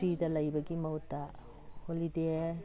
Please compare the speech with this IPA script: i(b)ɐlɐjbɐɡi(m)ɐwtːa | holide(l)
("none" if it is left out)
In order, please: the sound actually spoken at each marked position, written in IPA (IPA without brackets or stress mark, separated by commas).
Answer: d, m, none